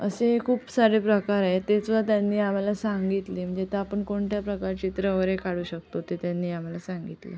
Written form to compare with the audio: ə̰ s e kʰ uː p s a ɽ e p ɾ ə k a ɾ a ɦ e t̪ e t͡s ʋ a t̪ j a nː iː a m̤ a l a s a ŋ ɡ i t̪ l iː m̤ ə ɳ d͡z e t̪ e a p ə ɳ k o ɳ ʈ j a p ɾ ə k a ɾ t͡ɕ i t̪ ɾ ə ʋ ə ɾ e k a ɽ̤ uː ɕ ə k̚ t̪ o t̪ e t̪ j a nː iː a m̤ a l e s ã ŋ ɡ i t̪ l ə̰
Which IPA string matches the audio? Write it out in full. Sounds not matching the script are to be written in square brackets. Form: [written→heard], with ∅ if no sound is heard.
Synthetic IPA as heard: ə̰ s e kʰ uː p s a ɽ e p ɾ ə k a ɾ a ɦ e t̪ e t͡s ʋ a t̪ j a nː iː a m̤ a l a s a ŋ ɡ i t̪ l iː m̤ ə ɳ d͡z e t̪ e a p ə ɳ k o ɳ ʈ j a p ɾ ə k a ɾ t͡ɕ i t̪ ɾ ə ʋ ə ɾ e k a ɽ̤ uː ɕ ə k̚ t̪ o t̪ e t̪ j a nː iː a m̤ a l [e→a] s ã ŋ ɡ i t̪ l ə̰